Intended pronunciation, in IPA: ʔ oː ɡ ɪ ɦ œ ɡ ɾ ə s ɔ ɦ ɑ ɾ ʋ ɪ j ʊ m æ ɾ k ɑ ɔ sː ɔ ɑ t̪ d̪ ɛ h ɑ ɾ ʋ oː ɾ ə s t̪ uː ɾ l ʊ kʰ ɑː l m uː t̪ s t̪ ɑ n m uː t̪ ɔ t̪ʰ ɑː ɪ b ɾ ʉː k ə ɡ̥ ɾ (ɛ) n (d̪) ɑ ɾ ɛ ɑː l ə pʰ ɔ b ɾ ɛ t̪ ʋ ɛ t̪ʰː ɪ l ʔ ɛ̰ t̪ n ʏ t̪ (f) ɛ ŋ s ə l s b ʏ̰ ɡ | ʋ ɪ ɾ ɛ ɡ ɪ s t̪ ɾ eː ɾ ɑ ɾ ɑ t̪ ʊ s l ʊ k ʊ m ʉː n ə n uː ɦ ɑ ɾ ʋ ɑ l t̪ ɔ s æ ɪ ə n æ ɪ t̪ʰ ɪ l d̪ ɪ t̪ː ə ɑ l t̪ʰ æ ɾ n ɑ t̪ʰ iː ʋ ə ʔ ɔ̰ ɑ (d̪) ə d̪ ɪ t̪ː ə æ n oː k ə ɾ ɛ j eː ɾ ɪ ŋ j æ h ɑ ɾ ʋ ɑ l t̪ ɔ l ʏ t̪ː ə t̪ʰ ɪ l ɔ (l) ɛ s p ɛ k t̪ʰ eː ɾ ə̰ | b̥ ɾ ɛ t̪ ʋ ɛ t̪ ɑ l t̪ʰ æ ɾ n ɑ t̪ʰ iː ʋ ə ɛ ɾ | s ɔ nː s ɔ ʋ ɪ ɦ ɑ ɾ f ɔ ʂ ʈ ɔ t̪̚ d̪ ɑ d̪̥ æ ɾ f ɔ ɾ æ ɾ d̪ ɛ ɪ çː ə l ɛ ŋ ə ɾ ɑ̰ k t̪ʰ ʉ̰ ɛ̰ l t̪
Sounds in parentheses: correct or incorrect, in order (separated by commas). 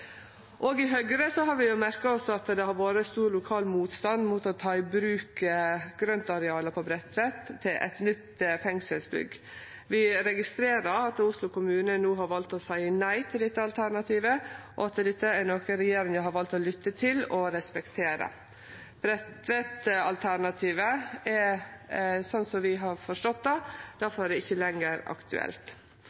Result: incorrect, incorrect, correct, incorrect, incorrect